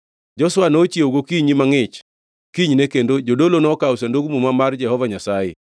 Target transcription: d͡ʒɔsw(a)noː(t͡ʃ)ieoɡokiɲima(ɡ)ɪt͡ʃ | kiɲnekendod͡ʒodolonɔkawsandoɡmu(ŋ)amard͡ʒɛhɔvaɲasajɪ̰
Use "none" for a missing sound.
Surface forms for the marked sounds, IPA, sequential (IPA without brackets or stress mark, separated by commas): a, t͡ʃ, ŋ, m